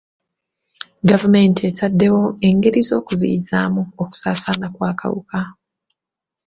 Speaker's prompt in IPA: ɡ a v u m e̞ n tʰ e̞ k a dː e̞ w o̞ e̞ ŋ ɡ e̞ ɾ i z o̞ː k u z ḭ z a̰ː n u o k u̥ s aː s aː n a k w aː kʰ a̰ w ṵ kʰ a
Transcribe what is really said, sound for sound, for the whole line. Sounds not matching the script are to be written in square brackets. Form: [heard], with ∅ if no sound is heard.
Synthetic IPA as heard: ɡ a v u m e̞ n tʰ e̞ [t] a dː e̞ w o̞ e̞ ŋ ɡ e̞ ɾ i z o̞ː k u z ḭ z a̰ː [m] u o k u̥ s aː s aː n a k w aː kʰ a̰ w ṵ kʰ a